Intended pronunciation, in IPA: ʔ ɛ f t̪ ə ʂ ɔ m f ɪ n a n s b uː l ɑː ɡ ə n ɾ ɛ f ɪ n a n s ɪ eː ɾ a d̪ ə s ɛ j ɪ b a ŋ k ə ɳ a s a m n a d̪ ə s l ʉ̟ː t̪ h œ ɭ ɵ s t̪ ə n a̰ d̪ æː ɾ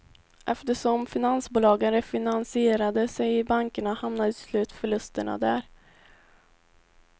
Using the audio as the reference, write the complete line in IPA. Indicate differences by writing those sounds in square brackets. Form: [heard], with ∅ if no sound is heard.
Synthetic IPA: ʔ ɛ f t̪ ə ʂ ɔ m f ɪ n a n s b uː l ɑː ɡ ə n ɾ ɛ f ɪ n a n s ɪ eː ɾ a d̪ ə s ɛ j ɪ b a ŋ k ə ɳ a [h] a m n a d̪ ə s l ʉ̟ː t̪ [f] œ ɭ ɵ s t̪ ə [ɳ] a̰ d̪ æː ɾ